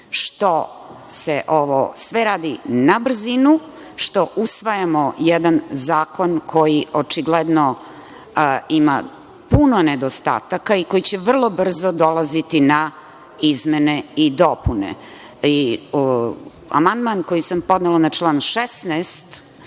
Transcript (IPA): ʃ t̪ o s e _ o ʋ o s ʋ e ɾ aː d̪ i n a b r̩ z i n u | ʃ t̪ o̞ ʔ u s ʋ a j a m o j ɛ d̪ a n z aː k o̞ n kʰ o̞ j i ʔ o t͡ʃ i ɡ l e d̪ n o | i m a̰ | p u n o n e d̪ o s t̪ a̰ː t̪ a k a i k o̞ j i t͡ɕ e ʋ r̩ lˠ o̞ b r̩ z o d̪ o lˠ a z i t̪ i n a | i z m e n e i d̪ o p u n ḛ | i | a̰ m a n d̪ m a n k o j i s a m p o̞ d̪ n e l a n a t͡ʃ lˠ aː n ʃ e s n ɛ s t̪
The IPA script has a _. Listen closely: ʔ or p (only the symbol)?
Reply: ʔ